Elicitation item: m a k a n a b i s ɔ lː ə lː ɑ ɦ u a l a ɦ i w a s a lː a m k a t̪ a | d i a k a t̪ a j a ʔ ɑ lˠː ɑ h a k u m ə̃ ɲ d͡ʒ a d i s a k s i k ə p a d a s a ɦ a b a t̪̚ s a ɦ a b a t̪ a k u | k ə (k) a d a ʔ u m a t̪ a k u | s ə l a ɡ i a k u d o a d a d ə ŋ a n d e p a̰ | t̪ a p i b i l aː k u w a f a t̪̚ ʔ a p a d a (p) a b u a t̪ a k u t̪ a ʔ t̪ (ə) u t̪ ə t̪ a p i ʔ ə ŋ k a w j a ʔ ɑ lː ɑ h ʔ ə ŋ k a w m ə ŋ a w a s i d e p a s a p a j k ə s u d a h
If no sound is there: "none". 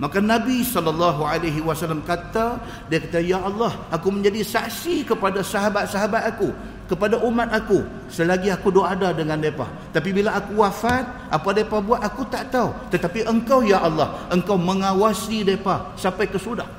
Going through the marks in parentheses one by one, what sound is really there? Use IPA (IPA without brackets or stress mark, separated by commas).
p, p, a